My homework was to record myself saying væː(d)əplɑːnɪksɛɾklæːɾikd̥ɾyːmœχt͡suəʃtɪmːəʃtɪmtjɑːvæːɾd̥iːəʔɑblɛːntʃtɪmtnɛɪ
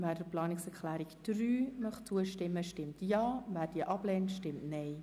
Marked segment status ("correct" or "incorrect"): correct